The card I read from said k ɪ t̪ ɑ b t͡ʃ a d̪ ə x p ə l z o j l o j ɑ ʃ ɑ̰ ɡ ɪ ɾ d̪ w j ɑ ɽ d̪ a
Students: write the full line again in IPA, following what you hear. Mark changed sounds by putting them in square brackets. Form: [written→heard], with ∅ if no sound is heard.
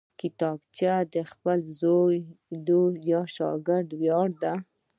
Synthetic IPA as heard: k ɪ t̪ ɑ b t͡ʃ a d̪ ə x p ə l z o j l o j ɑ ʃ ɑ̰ ɡ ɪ ɾ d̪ w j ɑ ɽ d̪ a